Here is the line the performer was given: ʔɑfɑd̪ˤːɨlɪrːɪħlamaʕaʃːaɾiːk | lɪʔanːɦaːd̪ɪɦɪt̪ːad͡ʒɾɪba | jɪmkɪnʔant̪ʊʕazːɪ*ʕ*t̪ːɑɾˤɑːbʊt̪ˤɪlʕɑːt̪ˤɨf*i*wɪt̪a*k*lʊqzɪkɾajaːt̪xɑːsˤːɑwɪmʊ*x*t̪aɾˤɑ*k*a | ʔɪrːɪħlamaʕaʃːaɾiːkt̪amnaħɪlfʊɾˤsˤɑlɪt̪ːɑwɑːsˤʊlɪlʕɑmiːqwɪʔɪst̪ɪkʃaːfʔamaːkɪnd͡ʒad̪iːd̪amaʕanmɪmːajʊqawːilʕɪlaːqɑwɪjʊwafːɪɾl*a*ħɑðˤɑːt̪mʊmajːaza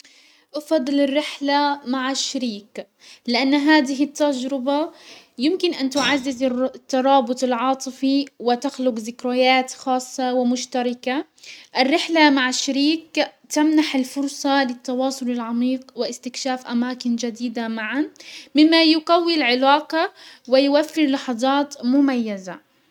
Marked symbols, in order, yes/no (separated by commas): no, yes, no, no, yes, no